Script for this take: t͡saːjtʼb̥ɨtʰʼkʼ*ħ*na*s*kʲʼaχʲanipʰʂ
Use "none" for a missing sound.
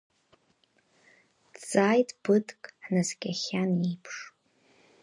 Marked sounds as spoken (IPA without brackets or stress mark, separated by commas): ħ, z